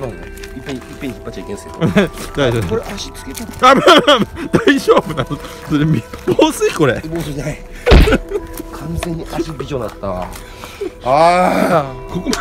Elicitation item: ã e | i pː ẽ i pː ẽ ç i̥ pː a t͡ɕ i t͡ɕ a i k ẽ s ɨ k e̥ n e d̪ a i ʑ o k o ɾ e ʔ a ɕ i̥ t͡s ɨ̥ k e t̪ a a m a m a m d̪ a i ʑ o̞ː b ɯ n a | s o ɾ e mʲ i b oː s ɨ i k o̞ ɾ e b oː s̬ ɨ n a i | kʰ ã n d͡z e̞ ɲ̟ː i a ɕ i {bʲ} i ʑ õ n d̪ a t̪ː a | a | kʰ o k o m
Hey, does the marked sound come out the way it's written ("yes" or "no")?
yes